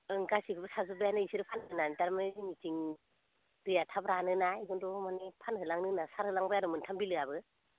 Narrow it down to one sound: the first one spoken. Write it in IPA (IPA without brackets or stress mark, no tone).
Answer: ɯ